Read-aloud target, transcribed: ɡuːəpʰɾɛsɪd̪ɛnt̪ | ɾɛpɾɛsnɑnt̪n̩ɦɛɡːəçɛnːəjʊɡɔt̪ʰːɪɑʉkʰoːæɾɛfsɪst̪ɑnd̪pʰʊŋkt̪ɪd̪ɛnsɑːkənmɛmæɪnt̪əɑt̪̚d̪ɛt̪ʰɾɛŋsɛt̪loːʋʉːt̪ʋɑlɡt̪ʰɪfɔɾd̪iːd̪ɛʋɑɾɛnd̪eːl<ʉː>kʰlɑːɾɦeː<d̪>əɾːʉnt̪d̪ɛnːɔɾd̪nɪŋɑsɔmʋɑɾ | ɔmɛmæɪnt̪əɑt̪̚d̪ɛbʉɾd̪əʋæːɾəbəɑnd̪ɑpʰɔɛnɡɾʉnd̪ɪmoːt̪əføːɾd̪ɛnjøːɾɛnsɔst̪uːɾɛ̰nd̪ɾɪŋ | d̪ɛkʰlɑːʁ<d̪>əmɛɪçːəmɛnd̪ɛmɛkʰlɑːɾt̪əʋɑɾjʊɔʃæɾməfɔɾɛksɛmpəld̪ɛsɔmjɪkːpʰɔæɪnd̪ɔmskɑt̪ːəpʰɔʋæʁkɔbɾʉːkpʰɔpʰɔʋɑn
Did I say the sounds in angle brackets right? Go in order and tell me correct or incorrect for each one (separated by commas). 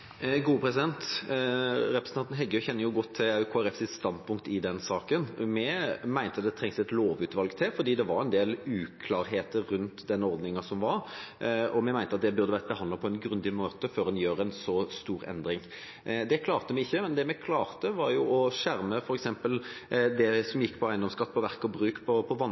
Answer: correct, incorrect, incorrect